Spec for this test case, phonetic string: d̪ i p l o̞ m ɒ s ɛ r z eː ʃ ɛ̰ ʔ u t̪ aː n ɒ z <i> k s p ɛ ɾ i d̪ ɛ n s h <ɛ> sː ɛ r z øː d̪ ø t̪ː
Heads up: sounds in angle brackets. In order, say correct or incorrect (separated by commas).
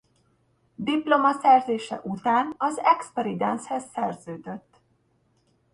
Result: incorrect, correct